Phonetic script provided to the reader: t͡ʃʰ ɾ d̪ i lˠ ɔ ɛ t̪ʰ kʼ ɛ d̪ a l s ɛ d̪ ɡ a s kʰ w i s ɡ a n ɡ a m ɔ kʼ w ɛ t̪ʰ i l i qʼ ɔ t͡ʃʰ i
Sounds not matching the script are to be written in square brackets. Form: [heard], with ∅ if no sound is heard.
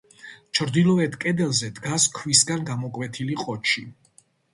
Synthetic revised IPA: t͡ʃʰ ɾ d̪ i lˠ ɔ ɛ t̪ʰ kʼ ɛ d̪ [ɛ] l [z] ɛ d̪ ɡ a s kʰ w i s ɡ a n ɡ a m ɔ kʼ w ɛ t̪ʰ i l i qʼ ɔ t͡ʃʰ i